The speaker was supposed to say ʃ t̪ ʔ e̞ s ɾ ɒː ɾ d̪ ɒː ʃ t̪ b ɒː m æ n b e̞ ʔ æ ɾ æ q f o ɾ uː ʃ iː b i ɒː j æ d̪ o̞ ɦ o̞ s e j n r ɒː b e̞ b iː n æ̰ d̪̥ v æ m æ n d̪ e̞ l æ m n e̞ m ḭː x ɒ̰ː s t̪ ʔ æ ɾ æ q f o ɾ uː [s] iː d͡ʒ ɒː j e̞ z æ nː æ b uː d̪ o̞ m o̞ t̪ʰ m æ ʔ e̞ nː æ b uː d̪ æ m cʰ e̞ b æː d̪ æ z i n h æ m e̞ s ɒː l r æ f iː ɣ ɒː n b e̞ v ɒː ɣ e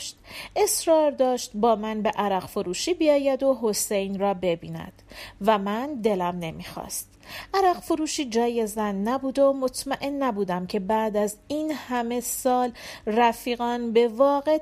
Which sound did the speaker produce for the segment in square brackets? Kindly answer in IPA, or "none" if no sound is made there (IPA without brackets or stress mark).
ʃ